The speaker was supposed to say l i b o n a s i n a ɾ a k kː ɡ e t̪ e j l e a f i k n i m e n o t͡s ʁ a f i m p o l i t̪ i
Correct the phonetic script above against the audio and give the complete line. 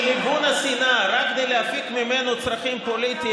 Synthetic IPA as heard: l i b u n a s i n a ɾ a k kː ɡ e d̪ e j l e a f i k m i m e n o t͡s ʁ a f i m p o l i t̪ i